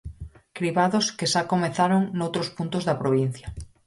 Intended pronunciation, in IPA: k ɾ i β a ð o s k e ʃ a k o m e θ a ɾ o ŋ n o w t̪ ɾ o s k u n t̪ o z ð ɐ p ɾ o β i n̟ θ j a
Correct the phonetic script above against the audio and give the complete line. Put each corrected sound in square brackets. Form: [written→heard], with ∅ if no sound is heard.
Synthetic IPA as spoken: k ɾ i β a ð o s k e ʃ a k o m e θ a ɾ o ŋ n o w t̪ ɾ o s [k→p] u n t̪ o z ð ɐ p ɾ o β i n̟ θ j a